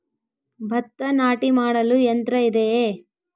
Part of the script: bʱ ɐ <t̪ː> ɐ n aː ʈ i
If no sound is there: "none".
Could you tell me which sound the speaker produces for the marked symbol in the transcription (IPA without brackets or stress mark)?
t̪ː